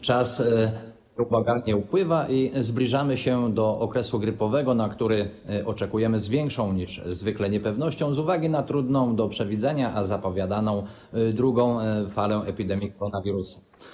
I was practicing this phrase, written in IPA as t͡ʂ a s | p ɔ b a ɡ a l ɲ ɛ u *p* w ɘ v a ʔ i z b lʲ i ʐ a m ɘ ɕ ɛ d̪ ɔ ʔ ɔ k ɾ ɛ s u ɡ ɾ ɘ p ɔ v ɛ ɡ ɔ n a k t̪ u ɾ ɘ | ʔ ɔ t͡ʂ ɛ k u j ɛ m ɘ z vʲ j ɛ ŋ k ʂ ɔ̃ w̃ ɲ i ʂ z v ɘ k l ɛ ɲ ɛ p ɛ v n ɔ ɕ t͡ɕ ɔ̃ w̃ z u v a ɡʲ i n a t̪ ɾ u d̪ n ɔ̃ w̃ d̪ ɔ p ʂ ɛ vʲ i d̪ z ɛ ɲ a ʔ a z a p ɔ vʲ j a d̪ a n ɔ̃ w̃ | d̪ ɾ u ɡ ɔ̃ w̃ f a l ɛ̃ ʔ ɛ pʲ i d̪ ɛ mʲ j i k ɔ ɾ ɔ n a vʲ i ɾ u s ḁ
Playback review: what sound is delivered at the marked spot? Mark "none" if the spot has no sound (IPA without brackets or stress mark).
p